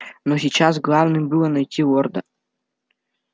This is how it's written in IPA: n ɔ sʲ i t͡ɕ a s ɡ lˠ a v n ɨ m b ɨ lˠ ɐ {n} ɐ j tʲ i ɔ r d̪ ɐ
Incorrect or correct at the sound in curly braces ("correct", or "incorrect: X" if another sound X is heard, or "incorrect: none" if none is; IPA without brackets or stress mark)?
correct